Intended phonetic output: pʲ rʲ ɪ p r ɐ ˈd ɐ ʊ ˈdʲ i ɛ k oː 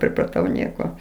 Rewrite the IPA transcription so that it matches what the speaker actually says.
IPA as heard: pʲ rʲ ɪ p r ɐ ˈt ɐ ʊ ˈnʲ i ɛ k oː